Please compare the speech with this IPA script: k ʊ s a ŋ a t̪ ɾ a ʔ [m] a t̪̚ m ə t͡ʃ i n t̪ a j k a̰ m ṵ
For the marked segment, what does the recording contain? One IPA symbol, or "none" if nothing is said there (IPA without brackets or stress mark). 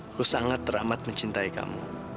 m